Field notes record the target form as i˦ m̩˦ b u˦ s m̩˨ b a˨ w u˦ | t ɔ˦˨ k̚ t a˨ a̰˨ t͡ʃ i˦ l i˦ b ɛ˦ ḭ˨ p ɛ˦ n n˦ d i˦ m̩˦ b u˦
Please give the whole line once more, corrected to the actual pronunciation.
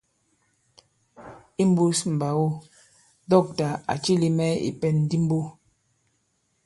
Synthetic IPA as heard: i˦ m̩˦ b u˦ s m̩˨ b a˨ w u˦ | d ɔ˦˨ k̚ t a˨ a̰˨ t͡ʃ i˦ l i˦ m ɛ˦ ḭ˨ p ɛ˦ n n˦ d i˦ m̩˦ b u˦